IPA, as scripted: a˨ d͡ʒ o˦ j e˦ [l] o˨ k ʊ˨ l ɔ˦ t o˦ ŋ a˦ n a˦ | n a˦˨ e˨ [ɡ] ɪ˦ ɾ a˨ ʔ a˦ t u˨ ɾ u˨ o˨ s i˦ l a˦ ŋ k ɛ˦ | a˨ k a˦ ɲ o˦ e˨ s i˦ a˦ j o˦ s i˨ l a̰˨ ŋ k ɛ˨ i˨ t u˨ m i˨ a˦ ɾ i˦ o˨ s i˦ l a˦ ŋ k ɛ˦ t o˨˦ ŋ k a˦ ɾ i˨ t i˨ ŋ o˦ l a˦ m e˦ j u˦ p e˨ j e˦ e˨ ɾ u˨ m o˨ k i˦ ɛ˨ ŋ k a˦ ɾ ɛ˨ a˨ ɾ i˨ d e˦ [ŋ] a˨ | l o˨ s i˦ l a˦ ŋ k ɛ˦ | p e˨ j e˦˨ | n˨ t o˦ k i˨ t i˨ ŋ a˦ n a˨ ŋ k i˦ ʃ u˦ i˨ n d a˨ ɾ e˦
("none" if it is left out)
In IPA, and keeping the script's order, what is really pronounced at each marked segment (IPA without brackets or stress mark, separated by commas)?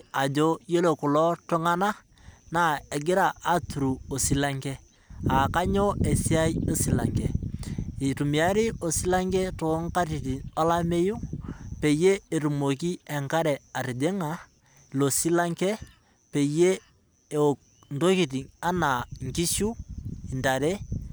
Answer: l, ɡ, ŋ